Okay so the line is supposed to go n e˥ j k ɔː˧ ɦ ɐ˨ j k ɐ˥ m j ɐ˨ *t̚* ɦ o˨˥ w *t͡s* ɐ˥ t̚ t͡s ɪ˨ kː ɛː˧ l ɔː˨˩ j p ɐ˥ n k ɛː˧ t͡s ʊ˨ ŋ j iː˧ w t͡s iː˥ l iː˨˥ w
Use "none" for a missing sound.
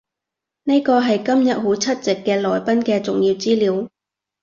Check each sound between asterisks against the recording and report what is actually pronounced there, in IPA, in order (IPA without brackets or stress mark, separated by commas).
t̚, t͡sʰ